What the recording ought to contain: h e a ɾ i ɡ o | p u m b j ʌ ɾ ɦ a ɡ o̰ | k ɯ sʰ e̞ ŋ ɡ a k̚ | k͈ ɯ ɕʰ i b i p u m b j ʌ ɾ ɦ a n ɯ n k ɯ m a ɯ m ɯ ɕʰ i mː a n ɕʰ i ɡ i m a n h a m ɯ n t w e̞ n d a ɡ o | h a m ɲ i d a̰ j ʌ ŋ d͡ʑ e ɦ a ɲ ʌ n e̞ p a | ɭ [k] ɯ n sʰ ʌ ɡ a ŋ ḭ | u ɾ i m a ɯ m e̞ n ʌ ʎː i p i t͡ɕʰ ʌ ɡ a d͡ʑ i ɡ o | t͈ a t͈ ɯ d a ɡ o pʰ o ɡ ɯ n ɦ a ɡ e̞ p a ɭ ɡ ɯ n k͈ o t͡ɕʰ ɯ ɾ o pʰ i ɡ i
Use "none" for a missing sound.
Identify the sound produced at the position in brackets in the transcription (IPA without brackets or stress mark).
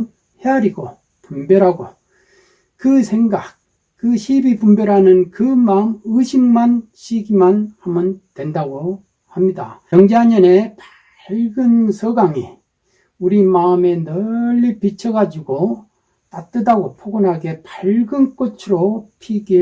ɡ